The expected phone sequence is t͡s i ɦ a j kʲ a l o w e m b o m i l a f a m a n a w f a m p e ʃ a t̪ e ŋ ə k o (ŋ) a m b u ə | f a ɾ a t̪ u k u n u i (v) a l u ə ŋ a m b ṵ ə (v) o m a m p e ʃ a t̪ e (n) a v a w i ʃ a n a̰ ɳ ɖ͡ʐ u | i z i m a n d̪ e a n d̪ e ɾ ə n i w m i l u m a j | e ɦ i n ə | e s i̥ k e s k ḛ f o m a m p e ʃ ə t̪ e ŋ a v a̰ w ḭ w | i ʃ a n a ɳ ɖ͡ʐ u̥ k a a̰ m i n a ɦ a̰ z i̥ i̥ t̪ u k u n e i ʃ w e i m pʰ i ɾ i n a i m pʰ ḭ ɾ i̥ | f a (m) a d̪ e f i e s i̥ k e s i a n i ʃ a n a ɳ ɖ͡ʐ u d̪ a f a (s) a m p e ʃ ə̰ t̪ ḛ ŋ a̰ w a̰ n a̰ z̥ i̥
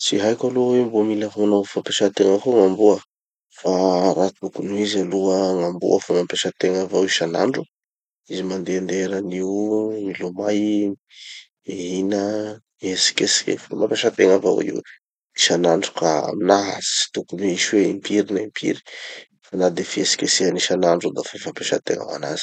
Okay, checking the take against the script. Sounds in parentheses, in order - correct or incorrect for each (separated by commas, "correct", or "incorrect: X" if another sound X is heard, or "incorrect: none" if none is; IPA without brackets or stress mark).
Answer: correct, incorrect: z, incorrect: f, incorrect: ŋ, incorrect: n, incorrect: f